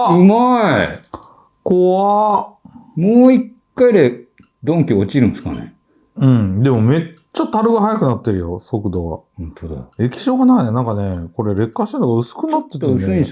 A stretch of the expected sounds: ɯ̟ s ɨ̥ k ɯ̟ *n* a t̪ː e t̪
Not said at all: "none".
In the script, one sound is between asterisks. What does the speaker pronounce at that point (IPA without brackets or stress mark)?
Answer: n